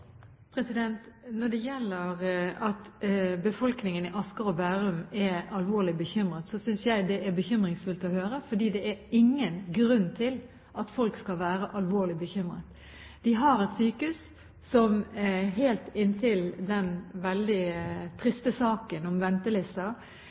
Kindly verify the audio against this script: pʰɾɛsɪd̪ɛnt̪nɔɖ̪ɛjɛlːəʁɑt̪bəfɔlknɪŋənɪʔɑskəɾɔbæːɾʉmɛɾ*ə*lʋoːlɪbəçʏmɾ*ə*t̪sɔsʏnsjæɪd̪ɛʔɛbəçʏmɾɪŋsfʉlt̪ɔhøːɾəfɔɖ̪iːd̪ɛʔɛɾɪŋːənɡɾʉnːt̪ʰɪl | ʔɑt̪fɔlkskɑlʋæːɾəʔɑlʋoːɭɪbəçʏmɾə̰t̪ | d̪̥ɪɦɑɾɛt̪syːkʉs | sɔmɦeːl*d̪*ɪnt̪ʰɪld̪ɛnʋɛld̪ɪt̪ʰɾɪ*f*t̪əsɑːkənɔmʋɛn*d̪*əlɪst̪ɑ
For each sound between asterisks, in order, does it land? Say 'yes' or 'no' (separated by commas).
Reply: no, yes, no, no, no